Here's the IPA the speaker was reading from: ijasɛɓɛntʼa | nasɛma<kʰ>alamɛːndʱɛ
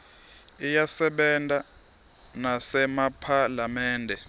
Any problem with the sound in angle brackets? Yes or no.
yes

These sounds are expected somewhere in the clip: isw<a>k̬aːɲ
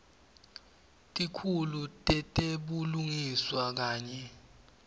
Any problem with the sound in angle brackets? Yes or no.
no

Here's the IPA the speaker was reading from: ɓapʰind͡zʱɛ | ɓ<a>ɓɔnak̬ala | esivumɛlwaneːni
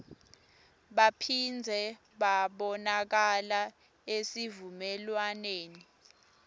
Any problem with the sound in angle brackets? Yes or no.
no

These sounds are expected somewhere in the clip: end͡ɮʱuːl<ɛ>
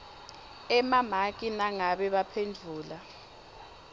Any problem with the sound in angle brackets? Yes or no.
yes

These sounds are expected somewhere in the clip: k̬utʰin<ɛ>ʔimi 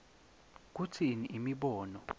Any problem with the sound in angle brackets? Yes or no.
yes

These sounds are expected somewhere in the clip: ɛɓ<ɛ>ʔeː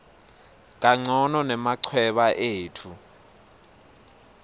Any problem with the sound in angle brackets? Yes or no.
yes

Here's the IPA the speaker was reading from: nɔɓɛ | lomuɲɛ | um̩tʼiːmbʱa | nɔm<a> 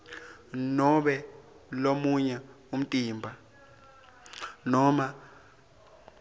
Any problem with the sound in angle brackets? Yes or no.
no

